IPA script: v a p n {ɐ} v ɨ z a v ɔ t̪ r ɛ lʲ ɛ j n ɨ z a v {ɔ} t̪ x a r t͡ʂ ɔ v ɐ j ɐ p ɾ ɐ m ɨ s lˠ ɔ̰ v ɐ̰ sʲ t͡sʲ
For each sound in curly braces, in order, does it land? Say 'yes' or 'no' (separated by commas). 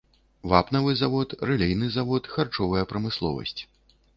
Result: yes, yes